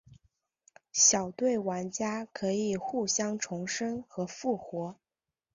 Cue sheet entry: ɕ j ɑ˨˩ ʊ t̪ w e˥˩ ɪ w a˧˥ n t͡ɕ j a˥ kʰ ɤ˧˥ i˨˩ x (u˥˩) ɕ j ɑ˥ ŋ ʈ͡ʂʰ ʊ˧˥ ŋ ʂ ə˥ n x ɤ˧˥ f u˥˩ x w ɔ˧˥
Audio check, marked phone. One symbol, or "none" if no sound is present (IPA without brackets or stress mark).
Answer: u˥˩